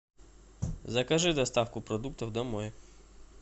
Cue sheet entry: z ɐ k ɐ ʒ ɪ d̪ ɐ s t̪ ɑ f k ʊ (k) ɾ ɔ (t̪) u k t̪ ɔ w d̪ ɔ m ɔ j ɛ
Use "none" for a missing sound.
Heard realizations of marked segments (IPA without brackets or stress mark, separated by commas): p, d̪